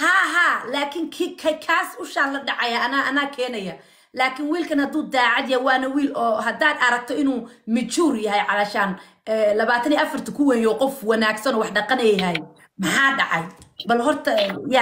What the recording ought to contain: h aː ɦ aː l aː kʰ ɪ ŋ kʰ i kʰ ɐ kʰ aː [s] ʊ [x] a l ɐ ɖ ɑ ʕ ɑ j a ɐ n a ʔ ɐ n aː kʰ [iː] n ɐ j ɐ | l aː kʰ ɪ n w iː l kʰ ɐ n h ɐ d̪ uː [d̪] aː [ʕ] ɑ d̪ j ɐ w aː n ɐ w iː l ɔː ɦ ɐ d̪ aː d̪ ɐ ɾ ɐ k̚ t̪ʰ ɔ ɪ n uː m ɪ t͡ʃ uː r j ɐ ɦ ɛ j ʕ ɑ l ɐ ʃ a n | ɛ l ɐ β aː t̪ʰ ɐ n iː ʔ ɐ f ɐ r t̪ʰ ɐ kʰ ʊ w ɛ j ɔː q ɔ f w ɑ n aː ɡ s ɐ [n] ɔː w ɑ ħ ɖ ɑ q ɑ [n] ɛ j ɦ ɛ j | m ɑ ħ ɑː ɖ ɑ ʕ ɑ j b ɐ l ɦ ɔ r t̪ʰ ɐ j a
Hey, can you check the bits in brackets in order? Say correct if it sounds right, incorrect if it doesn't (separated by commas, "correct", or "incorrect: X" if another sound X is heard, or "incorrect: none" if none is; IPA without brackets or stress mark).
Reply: correct, incorrect: ʃ, incorrect: ɛː, correct, correct, correct, correct